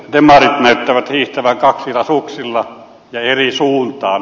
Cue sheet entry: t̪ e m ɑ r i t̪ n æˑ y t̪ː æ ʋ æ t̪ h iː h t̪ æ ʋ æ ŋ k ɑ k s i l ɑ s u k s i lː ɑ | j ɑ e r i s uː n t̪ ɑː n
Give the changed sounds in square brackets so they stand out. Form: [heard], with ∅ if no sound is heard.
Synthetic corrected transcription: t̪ e m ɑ r i t̪ n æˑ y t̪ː æ ʋ æ t̪ h iː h t̪ æ ʋ æ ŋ k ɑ k s i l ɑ s u k s i lː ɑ | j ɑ e r i s uː n t̪ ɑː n